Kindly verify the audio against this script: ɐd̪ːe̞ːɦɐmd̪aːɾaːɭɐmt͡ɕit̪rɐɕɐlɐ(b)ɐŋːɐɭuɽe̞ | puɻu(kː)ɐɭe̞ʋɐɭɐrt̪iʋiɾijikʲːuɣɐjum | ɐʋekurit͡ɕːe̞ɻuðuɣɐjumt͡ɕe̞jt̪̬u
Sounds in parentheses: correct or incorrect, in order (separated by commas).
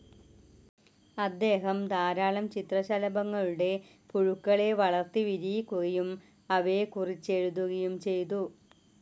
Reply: correct, correct